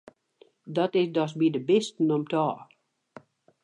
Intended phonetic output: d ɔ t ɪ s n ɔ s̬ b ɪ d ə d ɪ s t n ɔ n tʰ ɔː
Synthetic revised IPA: d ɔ t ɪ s d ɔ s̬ b i d ə b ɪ s t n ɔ m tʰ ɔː